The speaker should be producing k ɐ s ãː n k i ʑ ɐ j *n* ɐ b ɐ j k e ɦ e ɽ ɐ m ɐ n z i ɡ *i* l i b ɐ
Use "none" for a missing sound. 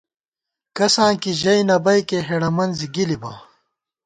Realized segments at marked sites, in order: n, i

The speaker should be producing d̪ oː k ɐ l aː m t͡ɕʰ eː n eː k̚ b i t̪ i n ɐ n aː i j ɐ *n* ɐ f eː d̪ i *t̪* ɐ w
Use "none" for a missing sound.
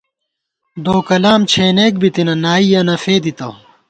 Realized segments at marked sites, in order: n, t̪

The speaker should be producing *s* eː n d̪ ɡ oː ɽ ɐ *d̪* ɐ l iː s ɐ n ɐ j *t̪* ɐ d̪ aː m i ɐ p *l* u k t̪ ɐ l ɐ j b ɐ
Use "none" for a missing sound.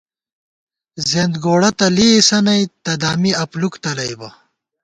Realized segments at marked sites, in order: z, t̪, t̪, l

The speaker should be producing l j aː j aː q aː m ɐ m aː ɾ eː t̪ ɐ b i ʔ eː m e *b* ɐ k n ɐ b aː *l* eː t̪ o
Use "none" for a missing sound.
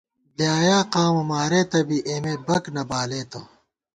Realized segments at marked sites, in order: b, l

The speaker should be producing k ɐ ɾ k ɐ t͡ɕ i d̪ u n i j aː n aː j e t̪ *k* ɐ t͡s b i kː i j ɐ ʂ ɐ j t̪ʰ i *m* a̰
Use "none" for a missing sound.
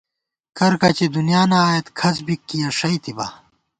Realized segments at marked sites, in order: kʰ, b

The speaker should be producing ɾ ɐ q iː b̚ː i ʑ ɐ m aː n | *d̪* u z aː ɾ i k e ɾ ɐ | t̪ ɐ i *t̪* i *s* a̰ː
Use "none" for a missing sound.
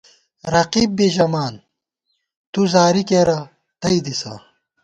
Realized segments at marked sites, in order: t̪, d̪, s

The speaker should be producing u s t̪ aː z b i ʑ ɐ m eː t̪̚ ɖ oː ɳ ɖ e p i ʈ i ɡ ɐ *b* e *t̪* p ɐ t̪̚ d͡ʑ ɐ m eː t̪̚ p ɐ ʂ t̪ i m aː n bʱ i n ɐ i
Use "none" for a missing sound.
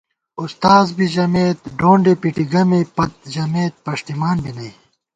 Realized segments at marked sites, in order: m, none

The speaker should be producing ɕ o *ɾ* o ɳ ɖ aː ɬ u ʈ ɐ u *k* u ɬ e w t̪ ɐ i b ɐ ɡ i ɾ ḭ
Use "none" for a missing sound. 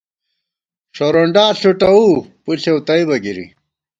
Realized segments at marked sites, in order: ɾ, p

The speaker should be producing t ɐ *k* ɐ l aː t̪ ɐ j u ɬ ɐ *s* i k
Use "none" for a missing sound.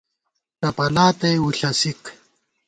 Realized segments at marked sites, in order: p, s

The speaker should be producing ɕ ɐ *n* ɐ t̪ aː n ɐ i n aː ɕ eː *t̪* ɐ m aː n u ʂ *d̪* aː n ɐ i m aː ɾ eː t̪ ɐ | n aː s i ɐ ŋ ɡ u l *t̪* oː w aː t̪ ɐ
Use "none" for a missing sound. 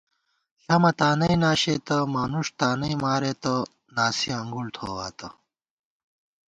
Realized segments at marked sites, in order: m, t̪, t̪, t̪ʰ

